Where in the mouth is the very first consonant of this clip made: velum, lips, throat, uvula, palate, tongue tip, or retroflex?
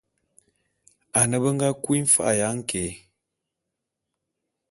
tongue tip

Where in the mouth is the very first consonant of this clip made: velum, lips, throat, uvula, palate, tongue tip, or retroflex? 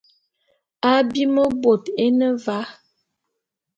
lips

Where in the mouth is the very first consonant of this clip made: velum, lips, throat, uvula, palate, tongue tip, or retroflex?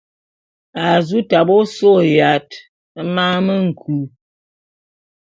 tongue tip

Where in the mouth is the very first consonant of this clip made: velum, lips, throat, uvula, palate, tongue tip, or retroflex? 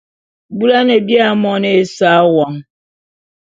lips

